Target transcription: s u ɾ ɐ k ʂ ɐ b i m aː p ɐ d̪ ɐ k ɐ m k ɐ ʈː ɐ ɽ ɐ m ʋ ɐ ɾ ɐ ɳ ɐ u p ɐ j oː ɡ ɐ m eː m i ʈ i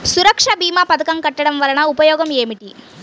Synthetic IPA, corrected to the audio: s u ɾ ɐ k ʂ ɐ b iː m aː p ɐ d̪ ɐ k ɐ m k ɐ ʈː ɐ ɽ ɐ m ʋ ɐ ɾ ɐ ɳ ɐ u p ɐ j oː ɡ ɐ m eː m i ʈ i